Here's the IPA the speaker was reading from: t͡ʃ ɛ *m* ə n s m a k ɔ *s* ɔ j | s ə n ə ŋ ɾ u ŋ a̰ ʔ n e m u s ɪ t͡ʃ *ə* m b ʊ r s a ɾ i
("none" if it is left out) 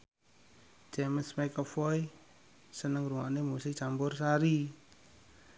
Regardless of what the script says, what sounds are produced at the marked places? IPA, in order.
m, f, a

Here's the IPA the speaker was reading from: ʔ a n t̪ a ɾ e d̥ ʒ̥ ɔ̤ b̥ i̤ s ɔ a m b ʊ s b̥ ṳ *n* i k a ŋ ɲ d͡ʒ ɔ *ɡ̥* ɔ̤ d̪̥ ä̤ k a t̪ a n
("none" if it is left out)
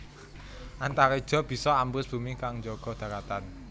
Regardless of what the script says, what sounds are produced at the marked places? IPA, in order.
m, ɡ̥

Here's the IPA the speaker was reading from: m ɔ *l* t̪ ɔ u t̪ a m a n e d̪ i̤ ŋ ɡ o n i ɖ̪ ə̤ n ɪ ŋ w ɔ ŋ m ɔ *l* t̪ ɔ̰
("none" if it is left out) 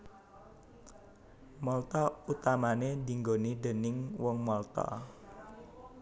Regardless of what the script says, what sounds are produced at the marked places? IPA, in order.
l, l

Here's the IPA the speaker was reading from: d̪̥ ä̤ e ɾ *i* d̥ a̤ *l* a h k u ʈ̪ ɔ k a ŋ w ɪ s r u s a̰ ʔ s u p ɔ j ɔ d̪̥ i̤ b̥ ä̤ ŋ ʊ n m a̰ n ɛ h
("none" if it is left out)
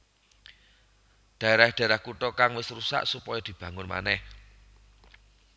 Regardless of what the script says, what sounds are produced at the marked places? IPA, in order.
a, ɾ

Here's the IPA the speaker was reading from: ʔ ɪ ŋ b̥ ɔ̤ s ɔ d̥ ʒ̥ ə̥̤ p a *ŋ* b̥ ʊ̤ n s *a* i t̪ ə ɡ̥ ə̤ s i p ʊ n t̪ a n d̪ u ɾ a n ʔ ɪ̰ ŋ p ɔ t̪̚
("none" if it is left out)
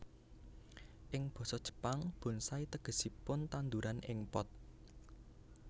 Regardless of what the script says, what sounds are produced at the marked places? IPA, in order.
ŋ, a

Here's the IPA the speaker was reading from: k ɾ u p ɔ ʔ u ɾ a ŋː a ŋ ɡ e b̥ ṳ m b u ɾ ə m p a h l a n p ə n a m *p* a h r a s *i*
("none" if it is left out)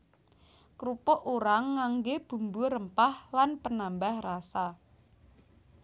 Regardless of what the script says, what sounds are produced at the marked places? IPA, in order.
b, a

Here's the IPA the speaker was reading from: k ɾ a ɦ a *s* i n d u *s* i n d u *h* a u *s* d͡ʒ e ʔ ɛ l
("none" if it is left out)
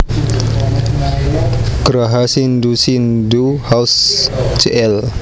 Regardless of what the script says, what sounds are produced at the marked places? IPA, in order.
s, s, h, s

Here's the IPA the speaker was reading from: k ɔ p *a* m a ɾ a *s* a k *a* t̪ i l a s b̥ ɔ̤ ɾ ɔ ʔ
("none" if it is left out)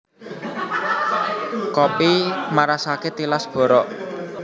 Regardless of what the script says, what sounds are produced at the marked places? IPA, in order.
i, s, e

